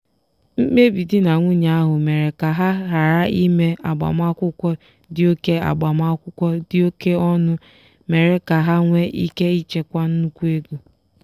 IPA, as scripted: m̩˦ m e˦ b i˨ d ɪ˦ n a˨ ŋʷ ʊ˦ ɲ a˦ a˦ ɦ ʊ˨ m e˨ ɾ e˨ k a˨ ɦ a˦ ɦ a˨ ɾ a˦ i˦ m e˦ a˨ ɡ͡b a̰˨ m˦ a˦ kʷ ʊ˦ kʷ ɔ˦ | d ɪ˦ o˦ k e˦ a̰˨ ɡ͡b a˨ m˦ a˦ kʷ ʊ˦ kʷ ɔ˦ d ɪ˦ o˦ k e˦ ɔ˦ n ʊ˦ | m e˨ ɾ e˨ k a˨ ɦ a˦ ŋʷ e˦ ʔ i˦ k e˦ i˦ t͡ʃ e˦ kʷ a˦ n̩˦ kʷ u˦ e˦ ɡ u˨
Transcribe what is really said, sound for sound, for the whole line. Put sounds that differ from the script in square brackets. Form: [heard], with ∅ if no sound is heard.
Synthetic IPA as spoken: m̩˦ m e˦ b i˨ d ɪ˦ n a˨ ŋʷ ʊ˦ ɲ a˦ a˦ ɦ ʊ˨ m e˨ ɾ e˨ k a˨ ɦ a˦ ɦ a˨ ɾ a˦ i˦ m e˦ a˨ ɡ͡b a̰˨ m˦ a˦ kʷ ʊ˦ kʷ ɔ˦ | d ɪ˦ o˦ k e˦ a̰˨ ɡ͡b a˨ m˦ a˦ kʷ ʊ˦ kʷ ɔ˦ d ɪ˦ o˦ k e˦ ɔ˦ n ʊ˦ | m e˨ ɾ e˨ k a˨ ɦ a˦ ŋʷ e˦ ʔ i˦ k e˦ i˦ t͡ʃ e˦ kʷ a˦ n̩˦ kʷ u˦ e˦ ɡ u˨